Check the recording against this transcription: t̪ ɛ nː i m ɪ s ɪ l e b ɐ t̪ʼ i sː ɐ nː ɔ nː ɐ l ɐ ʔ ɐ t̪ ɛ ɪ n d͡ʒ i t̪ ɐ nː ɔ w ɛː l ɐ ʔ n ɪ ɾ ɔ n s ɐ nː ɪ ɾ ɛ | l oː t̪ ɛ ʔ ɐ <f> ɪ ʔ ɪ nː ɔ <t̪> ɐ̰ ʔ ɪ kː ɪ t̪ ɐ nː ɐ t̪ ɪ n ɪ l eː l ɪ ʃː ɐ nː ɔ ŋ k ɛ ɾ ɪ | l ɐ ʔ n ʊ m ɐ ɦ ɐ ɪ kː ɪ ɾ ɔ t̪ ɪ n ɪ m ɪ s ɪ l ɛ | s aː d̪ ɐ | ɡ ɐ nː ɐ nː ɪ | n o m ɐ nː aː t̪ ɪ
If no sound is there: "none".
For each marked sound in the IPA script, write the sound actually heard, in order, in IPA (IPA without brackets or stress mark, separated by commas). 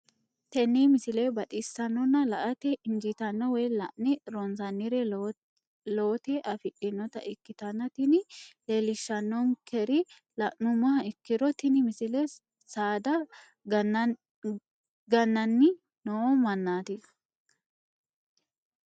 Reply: f, t̪